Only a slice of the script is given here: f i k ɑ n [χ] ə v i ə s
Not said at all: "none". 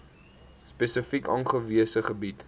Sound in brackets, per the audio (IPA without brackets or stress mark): χ